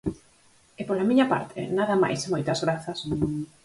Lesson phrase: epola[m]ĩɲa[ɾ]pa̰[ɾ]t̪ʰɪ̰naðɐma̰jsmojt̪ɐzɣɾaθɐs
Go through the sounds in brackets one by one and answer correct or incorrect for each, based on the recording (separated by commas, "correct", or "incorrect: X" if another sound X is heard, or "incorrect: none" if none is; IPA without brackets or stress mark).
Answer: correct, incorrect: none, correct